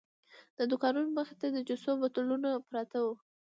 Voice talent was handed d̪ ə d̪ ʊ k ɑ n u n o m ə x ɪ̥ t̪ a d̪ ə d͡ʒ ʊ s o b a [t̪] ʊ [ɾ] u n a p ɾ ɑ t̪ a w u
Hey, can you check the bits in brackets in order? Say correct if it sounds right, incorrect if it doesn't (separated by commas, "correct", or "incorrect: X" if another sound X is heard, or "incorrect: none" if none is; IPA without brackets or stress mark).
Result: correct, incorrect: l